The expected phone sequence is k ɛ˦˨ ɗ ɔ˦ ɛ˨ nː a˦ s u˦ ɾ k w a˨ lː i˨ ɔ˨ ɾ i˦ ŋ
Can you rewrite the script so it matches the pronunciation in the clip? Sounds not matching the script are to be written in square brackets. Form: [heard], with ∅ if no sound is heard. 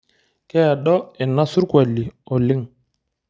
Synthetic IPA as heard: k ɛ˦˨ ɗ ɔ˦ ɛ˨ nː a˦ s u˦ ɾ k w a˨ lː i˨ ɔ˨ [l] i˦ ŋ